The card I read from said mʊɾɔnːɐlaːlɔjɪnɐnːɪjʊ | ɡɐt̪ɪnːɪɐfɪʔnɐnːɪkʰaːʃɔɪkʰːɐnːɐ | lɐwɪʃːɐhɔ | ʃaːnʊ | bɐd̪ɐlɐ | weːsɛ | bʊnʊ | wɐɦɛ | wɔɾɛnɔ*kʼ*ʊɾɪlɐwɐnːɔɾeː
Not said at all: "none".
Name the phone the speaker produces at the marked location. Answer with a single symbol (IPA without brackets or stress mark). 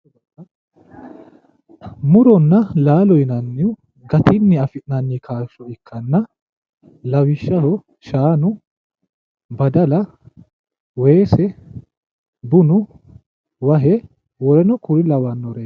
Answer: k